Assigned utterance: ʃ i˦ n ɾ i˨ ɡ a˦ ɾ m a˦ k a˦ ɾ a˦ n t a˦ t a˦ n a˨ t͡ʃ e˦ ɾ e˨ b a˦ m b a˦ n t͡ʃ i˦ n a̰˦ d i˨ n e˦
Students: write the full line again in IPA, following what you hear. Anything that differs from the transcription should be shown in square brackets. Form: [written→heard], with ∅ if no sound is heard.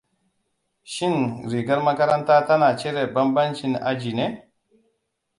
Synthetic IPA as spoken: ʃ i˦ n ɾ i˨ ɡ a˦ ɾ m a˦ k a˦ ɾ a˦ n t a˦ t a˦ n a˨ t͡ʃ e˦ ɾ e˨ b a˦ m b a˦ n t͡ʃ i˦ n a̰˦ [d→d͡ʒ] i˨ n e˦

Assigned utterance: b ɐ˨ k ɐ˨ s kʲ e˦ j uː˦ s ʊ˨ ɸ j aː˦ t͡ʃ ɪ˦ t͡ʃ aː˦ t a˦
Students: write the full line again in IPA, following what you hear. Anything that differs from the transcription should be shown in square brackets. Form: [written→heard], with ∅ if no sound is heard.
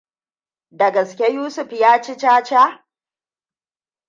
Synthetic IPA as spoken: [b→d] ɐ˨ [k→ɡ] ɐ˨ s kʲ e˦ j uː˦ s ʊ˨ ɸ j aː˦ t͡ʃ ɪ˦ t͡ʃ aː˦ [t→t͡ʃ] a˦

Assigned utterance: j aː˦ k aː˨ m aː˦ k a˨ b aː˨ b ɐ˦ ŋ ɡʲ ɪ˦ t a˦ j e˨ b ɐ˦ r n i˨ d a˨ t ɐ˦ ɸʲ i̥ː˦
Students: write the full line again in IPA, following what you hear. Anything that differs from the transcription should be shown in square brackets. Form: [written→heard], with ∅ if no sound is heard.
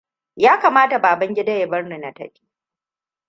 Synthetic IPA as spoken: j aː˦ k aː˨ m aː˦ [k→t] a˨ b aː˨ b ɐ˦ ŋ ɡʲ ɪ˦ [t→d] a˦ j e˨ b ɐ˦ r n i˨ [d→n] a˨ t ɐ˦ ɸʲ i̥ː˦

